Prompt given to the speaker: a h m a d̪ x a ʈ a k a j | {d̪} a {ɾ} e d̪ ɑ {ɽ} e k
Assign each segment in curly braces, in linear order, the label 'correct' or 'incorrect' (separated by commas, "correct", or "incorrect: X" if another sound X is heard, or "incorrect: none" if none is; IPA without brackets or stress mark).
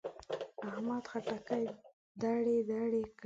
correct, incorrect: ɽ, correct